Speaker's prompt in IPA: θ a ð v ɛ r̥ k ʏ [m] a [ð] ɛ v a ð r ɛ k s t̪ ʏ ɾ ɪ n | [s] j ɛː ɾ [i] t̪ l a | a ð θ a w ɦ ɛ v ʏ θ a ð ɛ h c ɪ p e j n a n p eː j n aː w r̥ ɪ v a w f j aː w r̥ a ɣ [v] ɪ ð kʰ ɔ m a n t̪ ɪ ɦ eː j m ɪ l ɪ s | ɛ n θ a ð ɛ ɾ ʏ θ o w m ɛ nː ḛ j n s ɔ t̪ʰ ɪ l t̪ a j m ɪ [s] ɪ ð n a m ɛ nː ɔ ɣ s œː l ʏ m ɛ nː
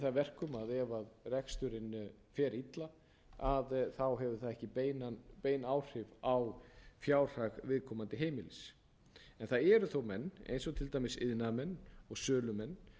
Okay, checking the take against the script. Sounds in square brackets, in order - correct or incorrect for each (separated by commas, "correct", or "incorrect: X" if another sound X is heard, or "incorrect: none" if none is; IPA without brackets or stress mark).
correct, correct, incorrect: f, correct, correct, correct